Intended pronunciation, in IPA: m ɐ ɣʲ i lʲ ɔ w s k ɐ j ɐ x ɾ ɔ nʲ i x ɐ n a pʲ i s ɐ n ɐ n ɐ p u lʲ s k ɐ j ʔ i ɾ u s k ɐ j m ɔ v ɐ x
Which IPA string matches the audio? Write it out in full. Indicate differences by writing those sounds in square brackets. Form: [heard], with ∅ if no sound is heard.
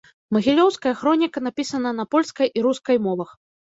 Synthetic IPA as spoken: m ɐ ɣʲ i lʲ ɔ w s k ɐ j ɐ x ɾ ɔ nʲ i [k] ɐ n a pʲ i s ɐ n ɐ n ɐ p [ɔ] lʲ s k ɐ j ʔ i ɾ u s k ɐ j m ɔ v ɐ x